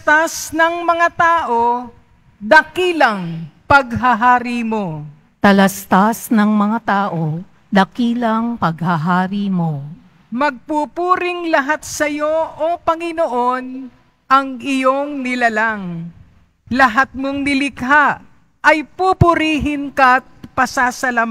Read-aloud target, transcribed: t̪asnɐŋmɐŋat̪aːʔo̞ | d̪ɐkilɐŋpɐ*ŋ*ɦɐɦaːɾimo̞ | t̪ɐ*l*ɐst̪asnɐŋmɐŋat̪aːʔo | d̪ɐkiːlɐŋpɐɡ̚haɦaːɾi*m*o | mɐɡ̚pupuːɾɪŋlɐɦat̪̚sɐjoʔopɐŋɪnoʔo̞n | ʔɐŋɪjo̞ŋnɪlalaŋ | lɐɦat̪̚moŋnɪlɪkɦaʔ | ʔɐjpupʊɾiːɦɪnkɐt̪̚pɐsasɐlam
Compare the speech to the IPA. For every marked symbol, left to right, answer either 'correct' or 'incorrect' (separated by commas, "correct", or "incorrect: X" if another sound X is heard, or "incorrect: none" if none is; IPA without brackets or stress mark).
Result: incorrect: ɡ, correct, correct